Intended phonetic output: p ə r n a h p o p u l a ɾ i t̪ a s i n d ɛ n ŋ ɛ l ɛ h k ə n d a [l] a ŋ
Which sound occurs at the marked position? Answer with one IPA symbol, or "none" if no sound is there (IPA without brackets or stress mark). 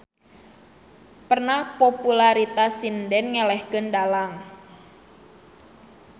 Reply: l